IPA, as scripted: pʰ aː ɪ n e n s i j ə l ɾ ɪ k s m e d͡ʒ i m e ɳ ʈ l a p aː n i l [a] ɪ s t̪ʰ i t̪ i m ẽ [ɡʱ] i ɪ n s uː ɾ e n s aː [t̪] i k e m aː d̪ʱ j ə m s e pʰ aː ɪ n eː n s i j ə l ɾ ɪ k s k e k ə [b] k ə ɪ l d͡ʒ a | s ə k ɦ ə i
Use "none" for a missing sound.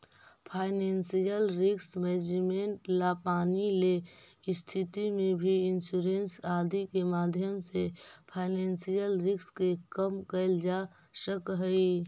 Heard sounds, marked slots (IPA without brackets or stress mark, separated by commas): e, bʱ, d̪, m